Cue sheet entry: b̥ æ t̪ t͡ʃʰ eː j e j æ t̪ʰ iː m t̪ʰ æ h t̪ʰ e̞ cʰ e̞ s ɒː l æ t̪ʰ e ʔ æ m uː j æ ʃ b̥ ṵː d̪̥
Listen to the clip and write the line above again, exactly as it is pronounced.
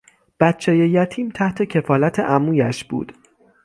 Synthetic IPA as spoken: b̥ æ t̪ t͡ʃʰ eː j e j æ t̪ʰ iː m t̪ʰ æ h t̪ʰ e̞ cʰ e̞ f ɒː l æ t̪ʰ e ʔ æ m uː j æ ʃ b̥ ṵː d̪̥